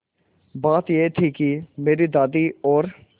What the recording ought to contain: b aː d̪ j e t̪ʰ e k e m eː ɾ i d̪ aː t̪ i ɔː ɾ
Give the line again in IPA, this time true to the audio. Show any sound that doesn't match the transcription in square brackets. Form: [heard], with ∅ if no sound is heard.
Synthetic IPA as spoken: b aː [t̪] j e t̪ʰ [i] k [i] m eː ɾ i d̪ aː [d̪] i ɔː ɾ

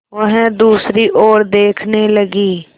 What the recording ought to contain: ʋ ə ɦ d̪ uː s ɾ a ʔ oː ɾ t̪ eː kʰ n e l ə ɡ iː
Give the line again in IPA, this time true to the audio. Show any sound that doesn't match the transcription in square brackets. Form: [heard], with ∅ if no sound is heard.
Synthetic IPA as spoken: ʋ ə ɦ d̪ uː s ɾ [i] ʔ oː ɾ [d̪] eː kʰ n e l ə ɡ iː

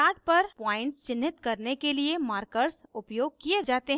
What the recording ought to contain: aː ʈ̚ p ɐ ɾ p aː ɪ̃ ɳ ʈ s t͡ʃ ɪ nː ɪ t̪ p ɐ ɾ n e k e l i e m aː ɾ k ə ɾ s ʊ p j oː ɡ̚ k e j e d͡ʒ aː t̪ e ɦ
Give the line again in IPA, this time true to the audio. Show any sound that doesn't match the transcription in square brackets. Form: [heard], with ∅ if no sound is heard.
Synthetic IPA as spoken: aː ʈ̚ p ɐ ɾ p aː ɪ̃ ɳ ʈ s t͡ʃ ɪ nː ɪ t̪ [k] ɐ ɾ n e k e l i e m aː ɾ k ə ɾ s ʊ p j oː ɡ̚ k [i] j e d͡ʒ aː t̪ e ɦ

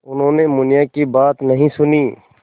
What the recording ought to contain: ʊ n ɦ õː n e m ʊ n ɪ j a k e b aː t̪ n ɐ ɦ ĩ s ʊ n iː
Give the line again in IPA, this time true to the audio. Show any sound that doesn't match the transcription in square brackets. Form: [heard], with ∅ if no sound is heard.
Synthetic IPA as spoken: ʊ n ɦ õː n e m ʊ n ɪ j a k [i] b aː t̪ n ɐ ɦ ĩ s ʊ n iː

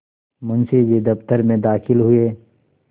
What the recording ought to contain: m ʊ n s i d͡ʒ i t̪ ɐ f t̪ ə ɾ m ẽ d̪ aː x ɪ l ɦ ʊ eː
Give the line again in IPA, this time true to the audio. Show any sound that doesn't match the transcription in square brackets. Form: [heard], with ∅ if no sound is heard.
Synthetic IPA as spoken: m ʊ n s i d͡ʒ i [d̪] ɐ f t̪ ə ɾ m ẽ d̪ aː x ɪ l ɦ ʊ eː

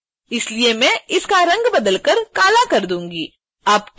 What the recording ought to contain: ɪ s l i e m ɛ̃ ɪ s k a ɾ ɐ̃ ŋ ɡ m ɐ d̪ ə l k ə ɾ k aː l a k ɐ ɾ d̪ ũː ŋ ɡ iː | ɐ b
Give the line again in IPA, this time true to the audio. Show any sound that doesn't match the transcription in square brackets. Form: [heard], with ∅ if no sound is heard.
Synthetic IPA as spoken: ɪ s l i e m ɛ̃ ɪ s k a ɾ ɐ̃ ŋ ɡ [b] ɐ d̪ ə l k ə ɾ k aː l a k ɐ ɾ d̪ ũː ŋ ɡ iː | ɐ b

